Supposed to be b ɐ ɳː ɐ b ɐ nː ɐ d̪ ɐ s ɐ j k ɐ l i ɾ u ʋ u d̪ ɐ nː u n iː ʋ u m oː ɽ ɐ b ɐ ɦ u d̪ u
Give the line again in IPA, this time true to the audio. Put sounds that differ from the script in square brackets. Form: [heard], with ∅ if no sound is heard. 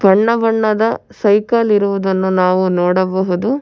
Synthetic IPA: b ɐ ɳː ɐ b ɐ [ɳː] ɐ d̪ ɐ s ɐ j k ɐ l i ɾ u ʋ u d̪ ɐ nː u n [aː] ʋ u [n] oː ɽ ɐ b ɐ ɦ u d̪ u

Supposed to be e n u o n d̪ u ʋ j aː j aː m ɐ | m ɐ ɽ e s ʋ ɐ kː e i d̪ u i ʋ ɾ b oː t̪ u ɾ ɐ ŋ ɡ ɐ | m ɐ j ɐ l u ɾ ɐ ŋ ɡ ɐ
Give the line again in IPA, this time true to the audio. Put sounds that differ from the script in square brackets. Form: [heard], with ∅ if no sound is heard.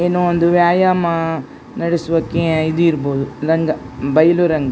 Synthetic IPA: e n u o n d̪ u ʋ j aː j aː m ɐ | [n] ɐ ɽ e s ʋ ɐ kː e i d̪ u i [∅] ɾ b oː [d̪] u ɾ ɐ ŋ ɡ ɐ | [b] ɐ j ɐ l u ɾ ɐ ŋ ɡ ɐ

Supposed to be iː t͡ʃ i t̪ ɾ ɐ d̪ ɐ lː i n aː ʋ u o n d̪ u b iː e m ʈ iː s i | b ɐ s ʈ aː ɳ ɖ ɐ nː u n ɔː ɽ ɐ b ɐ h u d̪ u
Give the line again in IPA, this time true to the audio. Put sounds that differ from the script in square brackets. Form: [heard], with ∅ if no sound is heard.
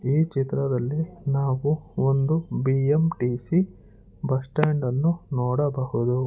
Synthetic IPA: iː t͡ʃ i t̪ ɾ ɐ d̪ ɐ lː i n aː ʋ u o n d̪ u b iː e m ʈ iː s i | b ɐ s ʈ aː ɳ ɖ ɐ nː u n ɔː ɽ ɐ b ɐ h u d̪ u

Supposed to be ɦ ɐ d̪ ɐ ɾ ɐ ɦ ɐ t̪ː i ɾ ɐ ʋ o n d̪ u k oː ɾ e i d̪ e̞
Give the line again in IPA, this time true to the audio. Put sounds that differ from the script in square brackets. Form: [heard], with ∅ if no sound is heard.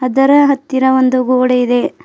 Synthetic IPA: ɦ ɐ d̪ ɐ ɾ ɐ ɦ ɐ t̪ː i ɾ ɐ ʋ o n d̪ u [ɡ] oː [ɽ] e i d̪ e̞

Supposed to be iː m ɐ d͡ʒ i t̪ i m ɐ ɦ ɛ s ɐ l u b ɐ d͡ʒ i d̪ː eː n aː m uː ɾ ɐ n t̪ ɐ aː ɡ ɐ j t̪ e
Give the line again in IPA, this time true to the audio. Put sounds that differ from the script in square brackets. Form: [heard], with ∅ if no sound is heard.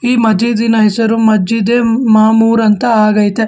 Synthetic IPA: iː m ɐ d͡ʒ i [d̪] i [n] ɐ ɦ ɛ s ɐ [ɾ] u [m] ɐ d͡ʒ i [d̪] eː [m] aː m uː ɾ ɐ n t̪ ɐ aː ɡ ɐ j t̪ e

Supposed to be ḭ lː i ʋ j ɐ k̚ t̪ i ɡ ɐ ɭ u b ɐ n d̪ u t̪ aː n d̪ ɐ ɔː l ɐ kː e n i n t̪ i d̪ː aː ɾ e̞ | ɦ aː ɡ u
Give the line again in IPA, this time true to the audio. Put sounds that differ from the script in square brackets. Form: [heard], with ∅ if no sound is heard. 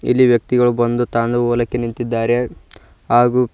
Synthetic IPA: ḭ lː i ʋ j ɐ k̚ t̪ i ɡ ɐ ɭ u b ɐ n d̪ u t̪ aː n d̪ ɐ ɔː l ɐ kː e n i n t̪ i d̪ː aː ɾ e̞ | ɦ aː ɡ u

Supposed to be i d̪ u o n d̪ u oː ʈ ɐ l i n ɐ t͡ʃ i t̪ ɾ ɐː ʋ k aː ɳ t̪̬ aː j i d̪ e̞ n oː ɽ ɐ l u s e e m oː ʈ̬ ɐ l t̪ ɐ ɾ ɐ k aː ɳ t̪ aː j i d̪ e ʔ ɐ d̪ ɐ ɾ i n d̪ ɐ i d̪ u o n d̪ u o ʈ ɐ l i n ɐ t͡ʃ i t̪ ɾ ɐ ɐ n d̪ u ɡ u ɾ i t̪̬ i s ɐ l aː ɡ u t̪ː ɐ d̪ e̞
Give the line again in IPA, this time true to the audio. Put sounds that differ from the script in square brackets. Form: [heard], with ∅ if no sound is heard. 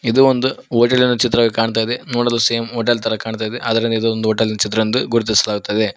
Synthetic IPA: i d̪ u o n d̪ u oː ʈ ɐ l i n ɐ t͡ʃ i t̪ ɾ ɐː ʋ k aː ɳ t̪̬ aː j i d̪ e̞ n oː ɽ ɐ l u s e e m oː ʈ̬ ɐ l t̪ ɐ ɾ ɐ k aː ɳ t̪ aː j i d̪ e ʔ ɐ d̪ ɐ ɾ i n d̪ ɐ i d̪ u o n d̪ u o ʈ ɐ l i n ɐ t͡ʃ i t̪ ɾ ɐ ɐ n d̪ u ɡ u ɾ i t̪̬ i s ɐ l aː ɡ u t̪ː ɐ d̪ e̞

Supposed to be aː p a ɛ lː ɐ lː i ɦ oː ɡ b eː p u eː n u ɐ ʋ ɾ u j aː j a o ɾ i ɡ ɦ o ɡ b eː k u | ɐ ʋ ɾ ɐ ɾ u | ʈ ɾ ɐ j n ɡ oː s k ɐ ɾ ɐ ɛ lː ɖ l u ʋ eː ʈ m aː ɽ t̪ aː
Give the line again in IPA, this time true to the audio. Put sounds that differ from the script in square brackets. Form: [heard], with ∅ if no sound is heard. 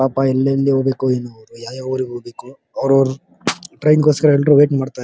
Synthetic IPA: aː p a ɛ lː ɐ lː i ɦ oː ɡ b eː [k] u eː n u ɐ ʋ ɾ u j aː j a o ɾ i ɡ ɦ o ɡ b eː k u | ɐ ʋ ɾ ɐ ɾ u | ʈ ɾ ɐ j n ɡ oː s k ɐ ɾ ɐ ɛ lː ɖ [ɾ] u ʋ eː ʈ m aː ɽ t̪ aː

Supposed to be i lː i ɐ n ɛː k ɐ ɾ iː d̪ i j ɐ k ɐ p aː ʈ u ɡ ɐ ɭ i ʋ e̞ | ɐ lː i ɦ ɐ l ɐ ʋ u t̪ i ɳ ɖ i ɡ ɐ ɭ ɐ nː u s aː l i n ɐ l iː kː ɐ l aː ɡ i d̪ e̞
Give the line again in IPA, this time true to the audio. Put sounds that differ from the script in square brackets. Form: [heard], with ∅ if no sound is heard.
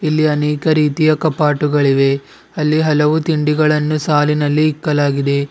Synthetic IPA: i lː i ɐ n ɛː k ɐ ɾ iː [t̪] i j ɐ k ɐ p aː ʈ u ɡ ɐ ɭ i ʋ e̞ | ɐ lː i ɦ ɐ l ɐ ʋ u t̪ i ɳ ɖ i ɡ ɐ ɭ ɐ nː u s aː l i n ɐ [lː] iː kː ɐ l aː ɡ i d̪ e̞

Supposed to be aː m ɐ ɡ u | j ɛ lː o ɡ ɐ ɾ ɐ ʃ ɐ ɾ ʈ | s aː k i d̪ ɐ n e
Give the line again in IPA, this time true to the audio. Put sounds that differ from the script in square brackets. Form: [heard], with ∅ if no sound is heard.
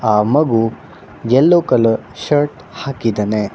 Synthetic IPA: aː m ɐ ɡ u | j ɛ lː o [k] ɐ [l] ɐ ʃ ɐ ɾ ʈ | [h] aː k i d̪ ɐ n e

